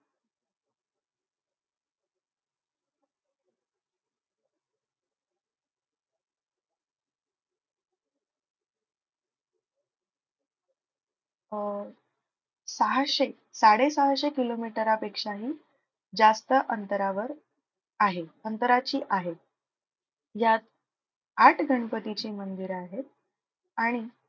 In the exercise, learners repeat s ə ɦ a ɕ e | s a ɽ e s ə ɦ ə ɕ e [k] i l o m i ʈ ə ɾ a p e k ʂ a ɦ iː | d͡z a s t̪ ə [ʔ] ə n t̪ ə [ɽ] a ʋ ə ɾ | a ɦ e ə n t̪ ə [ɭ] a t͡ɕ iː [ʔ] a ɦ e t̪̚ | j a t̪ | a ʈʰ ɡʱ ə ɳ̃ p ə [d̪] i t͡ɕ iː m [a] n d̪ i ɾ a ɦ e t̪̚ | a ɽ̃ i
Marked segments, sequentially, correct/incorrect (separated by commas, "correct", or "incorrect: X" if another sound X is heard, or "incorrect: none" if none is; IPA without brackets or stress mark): correct, correct, incorrect: ɾ, incorrect: ɾ, correct, incorrect: t̪, incorrect: ə